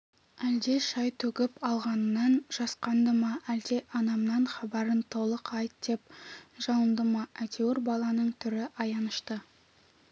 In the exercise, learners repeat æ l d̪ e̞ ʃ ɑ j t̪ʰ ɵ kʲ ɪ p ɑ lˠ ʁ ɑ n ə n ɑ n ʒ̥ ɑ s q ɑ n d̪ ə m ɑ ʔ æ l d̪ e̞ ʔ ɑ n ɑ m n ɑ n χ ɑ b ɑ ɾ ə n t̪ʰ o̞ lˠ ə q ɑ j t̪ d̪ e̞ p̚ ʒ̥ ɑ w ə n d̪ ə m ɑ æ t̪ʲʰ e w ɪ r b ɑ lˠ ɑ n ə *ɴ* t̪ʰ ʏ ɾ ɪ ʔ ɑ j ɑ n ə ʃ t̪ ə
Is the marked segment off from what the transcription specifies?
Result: no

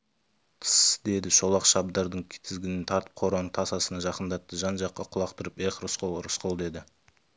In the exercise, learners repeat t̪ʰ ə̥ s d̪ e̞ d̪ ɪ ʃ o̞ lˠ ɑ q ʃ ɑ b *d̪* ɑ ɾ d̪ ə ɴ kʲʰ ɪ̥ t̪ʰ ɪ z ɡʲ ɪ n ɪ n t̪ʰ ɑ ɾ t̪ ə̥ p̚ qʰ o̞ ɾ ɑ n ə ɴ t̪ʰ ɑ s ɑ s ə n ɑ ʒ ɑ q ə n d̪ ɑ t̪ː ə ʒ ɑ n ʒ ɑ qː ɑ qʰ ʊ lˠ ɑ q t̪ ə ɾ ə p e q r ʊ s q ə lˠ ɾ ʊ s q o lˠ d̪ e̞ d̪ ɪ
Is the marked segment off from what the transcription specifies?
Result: no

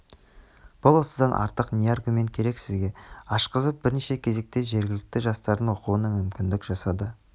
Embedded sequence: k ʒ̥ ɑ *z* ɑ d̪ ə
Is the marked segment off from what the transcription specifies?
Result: yes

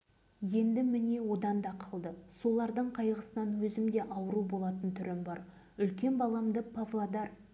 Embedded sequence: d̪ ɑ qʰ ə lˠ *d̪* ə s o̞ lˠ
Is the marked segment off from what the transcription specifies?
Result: no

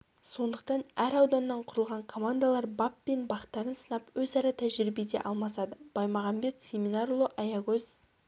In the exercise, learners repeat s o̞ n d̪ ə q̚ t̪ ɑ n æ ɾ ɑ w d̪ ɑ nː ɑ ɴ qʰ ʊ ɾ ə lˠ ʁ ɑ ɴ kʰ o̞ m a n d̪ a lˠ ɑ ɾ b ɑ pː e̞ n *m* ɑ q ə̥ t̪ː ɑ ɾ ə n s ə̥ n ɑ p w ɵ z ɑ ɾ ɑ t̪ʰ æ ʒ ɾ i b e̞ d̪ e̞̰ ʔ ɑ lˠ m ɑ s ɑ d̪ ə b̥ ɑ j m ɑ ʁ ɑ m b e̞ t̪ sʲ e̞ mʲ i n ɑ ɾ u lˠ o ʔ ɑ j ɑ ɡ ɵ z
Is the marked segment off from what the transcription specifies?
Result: yes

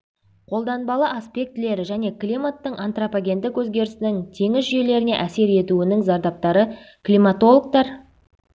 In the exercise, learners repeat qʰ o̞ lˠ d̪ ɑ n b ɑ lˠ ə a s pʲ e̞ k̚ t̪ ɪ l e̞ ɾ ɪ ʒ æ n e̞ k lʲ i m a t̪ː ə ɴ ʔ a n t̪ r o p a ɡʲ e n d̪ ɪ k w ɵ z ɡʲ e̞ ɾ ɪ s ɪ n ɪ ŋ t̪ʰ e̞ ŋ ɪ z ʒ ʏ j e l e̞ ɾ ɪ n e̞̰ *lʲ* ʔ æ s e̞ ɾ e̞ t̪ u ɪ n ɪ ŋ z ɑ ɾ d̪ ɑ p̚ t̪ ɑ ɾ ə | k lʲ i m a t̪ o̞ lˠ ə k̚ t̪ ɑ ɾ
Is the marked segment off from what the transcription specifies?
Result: yes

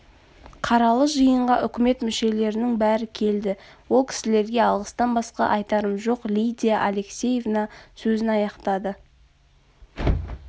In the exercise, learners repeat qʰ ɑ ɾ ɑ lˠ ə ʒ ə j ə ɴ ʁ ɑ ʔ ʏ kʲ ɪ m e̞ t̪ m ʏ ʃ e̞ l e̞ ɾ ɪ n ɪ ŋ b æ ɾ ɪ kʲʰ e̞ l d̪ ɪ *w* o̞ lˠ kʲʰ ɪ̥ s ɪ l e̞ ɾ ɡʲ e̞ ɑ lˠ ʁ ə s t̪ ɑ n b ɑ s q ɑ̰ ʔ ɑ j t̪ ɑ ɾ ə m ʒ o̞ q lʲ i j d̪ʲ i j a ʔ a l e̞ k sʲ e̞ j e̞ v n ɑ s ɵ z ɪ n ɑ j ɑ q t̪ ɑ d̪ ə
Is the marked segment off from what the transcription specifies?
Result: no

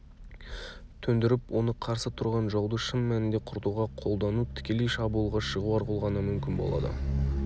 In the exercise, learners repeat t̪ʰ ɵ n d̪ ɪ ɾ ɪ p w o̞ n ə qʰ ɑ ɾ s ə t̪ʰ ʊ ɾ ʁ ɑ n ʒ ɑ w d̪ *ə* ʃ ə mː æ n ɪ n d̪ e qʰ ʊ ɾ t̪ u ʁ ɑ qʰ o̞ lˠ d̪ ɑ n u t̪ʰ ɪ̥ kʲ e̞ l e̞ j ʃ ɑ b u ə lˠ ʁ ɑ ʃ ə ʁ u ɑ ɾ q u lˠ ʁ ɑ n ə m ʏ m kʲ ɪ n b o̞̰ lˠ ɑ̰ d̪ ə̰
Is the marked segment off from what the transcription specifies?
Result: no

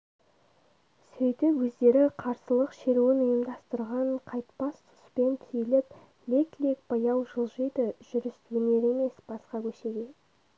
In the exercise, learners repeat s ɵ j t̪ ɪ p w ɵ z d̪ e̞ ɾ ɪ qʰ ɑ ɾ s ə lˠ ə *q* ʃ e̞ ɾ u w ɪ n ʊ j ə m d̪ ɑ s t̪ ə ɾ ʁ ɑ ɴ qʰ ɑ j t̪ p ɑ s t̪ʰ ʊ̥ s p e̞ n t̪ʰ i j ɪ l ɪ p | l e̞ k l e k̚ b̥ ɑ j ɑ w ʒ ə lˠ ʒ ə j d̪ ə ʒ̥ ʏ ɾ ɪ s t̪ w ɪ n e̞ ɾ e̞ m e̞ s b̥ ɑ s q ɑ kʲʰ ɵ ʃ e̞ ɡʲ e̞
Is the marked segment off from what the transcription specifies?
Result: no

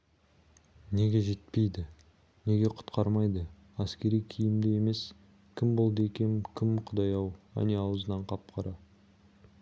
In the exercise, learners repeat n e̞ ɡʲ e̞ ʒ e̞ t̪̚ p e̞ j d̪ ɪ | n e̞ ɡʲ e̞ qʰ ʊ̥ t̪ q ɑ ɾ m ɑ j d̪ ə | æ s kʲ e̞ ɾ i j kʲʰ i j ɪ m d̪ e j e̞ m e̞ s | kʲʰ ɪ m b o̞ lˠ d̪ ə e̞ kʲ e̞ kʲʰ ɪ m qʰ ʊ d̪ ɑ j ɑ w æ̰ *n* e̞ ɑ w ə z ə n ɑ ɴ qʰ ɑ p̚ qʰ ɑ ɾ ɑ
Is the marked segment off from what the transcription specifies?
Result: no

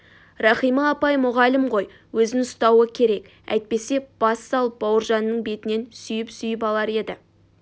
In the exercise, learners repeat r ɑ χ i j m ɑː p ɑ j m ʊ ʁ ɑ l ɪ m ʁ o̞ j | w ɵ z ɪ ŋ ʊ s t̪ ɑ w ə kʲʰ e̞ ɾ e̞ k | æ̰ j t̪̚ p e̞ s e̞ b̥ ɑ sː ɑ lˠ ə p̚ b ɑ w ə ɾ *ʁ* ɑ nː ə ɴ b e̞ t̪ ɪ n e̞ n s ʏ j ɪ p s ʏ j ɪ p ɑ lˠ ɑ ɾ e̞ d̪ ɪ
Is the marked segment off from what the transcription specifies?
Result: yes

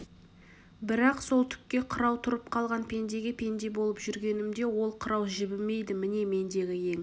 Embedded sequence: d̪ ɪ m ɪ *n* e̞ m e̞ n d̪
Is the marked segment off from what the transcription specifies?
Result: no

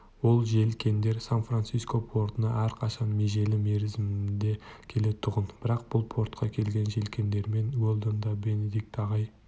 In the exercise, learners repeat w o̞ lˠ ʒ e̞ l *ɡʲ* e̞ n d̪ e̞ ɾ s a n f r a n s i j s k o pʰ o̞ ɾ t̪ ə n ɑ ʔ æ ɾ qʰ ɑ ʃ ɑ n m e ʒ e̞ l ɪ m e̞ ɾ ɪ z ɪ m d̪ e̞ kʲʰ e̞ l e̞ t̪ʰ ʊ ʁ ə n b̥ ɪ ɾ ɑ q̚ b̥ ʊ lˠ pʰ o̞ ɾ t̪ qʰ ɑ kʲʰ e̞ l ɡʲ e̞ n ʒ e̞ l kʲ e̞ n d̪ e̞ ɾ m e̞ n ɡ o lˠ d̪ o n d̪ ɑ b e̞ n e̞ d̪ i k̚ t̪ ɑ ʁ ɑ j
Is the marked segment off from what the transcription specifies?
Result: yes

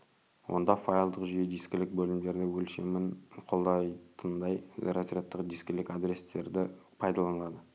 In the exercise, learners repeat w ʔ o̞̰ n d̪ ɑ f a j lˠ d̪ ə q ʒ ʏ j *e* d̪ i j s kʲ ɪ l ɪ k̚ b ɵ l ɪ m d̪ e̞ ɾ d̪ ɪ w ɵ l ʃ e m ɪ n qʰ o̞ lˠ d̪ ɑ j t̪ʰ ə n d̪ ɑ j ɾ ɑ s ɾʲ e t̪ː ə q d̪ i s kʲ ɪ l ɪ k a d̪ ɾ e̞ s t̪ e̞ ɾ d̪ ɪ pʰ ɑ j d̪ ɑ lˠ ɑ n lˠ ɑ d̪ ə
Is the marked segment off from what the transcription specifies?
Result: no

